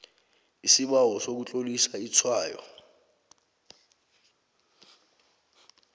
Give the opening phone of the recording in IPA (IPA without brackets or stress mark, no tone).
i